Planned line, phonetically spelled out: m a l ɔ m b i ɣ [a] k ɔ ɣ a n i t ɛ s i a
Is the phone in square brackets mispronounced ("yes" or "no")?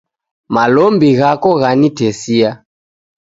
no